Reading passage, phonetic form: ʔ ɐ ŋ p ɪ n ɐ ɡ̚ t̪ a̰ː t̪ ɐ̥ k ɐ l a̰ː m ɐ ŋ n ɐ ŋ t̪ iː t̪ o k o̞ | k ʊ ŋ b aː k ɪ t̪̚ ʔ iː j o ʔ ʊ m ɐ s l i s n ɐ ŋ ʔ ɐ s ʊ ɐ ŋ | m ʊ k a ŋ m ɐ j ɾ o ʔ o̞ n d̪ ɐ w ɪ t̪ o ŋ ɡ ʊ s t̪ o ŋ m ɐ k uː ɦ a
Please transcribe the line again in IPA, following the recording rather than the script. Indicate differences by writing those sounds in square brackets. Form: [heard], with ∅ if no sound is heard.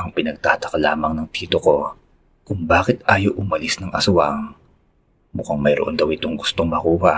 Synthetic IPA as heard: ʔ ɐ ŋ p ɪ n ɐ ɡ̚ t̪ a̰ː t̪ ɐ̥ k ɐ l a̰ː m ɐ ŋ n ɐ ŋ t̪ iː t̪ o k o̞ | k ʊ ŋ b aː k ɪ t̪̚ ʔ [aː] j o ʔ ʊ m ɐ [∅] l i s n ɐ ŋ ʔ ɐ s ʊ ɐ ŋ | m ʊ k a ŋ m ɐ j ɾ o ʔ o̞ n d̪ ɐ w ɪ t̪ o ŋ ɡ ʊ s t̪ o ŋ m ɐ k uː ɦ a